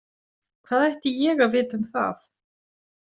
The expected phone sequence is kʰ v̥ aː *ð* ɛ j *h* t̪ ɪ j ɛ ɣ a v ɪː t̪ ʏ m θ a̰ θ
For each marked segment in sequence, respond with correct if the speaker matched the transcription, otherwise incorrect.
correct, correct

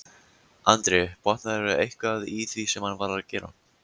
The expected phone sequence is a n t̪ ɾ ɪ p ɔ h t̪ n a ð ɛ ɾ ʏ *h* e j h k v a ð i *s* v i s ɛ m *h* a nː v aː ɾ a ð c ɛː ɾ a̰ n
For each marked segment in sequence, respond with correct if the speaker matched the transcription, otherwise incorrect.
incorrect: none, incorrect: θ, correct

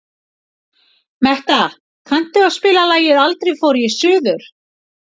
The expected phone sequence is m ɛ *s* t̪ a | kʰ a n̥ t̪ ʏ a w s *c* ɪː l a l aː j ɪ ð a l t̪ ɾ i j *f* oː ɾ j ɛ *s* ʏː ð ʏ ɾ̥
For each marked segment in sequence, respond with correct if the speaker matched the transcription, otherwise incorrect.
incorrect: h, incorrect: p, correct, correct

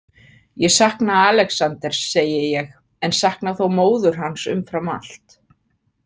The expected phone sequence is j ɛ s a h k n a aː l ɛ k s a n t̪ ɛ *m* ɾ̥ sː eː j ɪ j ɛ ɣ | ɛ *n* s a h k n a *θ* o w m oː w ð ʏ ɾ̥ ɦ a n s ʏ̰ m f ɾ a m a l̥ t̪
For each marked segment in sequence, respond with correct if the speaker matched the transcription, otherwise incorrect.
incorrect: none, correct, correct

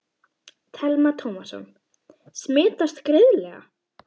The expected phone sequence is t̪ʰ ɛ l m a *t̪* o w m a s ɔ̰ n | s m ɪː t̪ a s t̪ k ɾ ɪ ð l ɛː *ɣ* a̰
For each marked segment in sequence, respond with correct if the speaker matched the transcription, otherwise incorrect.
incorrect: t̪ʰ, correct

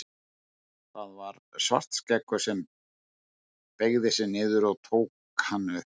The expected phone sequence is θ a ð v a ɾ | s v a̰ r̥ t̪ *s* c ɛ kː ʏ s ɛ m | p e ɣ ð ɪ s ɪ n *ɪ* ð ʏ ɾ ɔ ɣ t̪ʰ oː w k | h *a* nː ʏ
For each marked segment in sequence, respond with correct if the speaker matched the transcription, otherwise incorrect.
correct, incorrect: ɪː, correct

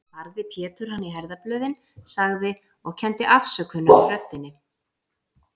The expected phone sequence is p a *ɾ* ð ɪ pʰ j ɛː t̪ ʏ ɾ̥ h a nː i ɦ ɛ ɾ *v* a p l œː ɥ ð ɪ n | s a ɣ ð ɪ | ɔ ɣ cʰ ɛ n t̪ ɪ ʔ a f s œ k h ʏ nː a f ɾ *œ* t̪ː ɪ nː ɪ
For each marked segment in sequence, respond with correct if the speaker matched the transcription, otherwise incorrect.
correct, incorrect: ð, correct

